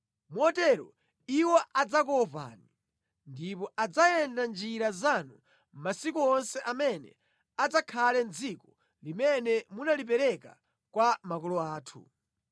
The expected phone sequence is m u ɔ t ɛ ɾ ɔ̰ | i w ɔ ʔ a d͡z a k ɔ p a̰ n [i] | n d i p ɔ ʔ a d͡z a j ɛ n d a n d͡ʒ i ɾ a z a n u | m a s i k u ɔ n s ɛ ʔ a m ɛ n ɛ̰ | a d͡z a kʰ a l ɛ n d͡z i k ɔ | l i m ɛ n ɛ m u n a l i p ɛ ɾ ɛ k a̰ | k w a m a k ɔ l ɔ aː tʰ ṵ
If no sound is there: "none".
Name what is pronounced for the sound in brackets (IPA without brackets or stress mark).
i